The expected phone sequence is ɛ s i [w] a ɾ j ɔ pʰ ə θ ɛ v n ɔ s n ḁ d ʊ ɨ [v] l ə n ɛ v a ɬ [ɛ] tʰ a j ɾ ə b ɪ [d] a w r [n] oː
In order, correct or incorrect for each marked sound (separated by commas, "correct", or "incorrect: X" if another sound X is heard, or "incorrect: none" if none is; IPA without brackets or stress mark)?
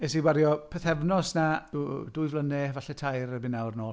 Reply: correct, correct, correct, incorrect: n, correct